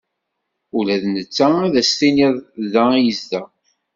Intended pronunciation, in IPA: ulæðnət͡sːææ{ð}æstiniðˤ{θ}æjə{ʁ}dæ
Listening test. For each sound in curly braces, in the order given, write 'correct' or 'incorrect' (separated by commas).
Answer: correct, incorrect, incorrect